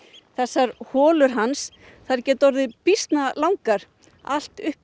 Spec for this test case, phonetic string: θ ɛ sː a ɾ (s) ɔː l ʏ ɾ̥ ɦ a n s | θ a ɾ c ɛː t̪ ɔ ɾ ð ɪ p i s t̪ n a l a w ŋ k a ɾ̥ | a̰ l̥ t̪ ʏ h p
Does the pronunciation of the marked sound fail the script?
yes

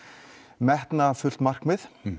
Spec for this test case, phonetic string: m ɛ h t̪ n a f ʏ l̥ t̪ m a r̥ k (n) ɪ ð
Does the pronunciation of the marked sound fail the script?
yes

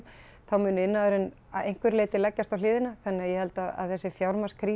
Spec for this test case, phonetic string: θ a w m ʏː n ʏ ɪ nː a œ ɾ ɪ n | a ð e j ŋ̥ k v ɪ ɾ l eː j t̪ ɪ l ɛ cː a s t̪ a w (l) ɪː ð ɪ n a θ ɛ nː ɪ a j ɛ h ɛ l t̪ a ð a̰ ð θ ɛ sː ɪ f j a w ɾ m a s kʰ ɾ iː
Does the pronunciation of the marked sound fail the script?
no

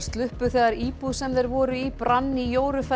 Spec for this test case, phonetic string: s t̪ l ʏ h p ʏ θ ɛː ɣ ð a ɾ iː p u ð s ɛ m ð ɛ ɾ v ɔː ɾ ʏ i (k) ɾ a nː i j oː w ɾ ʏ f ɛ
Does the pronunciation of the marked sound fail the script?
yes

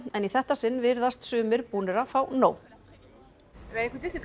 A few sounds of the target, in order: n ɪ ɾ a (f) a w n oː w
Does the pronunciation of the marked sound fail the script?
no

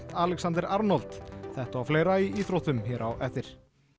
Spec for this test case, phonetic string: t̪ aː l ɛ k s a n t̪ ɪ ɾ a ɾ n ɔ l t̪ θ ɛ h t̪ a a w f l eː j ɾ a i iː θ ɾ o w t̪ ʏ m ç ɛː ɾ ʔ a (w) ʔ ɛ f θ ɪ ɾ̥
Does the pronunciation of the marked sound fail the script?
no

